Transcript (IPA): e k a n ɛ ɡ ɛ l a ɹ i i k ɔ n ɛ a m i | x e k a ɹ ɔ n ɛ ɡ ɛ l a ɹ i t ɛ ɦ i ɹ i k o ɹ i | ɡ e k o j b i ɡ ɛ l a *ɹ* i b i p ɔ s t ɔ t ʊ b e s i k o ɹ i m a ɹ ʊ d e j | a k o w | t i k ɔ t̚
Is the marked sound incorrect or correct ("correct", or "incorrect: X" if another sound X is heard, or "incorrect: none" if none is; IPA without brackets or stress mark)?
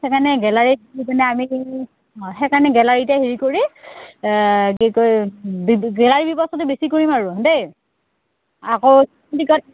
correct